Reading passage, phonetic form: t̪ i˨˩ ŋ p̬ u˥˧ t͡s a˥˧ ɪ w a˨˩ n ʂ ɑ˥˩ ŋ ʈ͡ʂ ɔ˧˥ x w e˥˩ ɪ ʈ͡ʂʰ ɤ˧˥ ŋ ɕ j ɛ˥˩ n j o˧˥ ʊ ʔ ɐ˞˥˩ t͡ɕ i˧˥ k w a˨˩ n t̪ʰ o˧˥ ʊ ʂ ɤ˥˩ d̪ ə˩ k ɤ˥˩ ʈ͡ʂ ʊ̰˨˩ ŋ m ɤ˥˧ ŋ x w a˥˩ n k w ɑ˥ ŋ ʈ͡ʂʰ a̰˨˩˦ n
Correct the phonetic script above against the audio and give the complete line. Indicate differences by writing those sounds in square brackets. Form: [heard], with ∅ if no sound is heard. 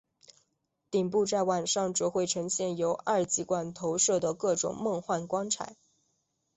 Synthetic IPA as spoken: t̪ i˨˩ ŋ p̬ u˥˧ t͡s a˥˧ ɪ w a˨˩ n ʂ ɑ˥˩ ŋ ʈ͡ʂ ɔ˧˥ x w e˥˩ ɪ ʈ͡ʂʰ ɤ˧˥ ŋ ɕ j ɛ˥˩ n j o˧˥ ʊ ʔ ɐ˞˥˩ t͡ɕ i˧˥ k w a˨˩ n t̪ʰ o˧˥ ʊ ʂ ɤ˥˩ d̪ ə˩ k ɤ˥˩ ʈ͡ʂ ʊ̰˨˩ ŋ m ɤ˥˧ ŋ x w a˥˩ n k w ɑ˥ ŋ ʈ͡ʂʰ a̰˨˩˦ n